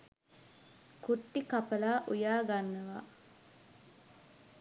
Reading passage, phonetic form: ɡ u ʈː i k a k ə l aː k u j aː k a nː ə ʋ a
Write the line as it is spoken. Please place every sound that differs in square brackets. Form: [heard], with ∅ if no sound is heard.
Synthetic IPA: [k] u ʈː i k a [p] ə l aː [ʔ] u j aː [ɡ] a nː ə ʋ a